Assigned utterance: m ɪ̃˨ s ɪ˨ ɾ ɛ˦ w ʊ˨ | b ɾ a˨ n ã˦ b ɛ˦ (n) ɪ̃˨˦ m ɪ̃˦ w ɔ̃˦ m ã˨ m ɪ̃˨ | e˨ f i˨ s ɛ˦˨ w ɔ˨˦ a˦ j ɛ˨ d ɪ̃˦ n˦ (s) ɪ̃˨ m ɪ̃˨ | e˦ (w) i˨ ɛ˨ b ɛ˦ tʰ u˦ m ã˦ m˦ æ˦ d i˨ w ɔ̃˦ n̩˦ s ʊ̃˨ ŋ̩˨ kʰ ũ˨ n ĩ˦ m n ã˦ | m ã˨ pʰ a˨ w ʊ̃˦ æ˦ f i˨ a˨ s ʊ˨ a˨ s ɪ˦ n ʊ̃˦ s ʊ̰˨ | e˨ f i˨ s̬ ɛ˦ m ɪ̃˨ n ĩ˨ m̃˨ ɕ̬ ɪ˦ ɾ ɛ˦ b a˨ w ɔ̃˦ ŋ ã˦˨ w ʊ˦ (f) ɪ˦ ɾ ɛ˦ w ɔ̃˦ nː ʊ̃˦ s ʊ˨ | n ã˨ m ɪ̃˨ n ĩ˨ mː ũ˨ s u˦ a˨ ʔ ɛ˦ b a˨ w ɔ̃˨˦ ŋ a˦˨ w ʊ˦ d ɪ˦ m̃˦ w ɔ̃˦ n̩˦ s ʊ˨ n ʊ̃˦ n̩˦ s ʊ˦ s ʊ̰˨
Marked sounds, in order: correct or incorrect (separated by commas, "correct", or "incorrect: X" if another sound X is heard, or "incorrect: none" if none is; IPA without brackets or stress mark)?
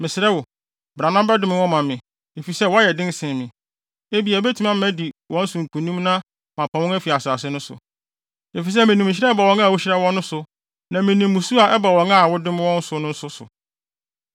incorrect: d, correct, incorrect: b, incorrect: ɕ